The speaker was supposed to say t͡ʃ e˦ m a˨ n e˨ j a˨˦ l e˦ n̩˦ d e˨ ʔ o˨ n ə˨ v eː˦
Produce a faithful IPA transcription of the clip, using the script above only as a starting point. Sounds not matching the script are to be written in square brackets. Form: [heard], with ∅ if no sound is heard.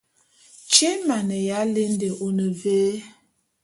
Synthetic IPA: t͡ʃ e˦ m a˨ n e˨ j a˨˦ l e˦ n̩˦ d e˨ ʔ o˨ n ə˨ v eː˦